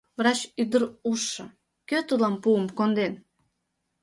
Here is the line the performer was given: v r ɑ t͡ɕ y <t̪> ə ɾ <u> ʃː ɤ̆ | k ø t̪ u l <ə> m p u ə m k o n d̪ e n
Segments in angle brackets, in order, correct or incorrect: incorrect: d̪, correct, incorrect: ɑ

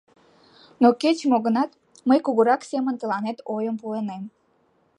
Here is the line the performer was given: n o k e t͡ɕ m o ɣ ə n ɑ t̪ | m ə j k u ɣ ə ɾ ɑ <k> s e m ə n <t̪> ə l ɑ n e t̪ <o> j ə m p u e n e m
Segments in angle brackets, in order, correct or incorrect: correct, correct, correct

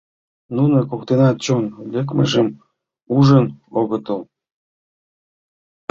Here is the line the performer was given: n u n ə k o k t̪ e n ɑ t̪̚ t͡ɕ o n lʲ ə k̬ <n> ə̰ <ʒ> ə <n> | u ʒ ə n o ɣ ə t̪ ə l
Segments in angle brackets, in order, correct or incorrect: incorrect: m, correct, incorrect: m

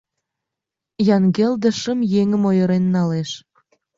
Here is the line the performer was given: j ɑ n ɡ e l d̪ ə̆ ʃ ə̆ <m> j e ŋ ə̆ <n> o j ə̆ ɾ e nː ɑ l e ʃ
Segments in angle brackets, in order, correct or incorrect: correct, incorrect: m

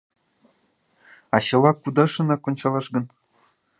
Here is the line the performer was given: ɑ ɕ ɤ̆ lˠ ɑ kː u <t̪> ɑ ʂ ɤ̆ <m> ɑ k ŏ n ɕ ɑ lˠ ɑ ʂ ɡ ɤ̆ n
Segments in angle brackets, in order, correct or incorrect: incorrect: d̪, incorrect: n

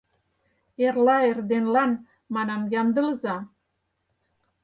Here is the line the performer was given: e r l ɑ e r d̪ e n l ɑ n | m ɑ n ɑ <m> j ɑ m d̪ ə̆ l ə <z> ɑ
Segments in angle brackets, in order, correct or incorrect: correct, correct

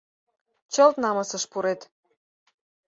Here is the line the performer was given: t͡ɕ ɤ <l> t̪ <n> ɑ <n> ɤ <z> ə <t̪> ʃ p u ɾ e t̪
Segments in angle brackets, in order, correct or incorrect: correct, correct, incorrect: m, incorrect: s, incorrect: none

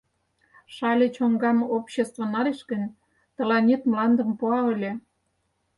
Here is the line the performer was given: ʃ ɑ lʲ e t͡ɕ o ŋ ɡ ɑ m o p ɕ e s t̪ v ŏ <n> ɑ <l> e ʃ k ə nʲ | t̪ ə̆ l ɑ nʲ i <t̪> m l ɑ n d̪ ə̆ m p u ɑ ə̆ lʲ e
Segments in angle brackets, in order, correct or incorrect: correct, incorrect: ɾ, correct

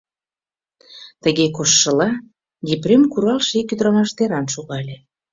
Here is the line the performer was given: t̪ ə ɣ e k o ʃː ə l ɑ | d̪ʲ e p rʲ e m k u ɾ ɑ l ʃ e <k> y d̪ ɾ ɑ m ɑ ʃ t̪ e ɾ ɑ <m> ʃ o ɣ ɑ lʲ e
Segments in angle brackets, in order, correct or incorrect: correct, incorrect: n

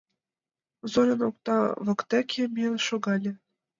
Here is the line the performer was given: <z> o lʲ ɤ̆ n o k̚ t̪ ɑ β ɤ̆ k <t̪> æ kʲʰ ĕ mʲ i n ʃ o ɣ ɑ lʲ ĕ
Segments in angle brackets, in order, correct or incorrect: correct, correct

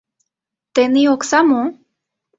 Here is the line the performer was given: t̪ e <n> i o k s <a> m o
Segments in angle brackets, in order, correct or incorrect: correct, correct

